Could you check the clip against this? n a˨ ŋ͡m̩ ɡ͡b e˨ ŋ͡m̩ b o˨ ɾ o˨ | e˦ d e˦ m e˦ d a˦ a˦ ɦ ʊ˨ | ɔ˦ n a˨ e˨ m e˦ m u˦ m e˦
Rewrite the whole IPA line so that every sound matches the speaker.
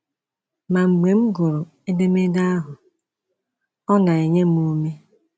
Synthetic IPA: m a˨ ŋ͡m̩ ɡ͡b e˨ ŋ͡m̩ ɡ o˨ ɾ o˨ | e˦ d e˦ m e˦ d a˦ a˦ ɦ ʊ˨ | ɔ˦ n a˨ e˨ ɲ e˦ m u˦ m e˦